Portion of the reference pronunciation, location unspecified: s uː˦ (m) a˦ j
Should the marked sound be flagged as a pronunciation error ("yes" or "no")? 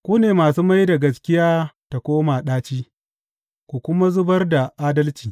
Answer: no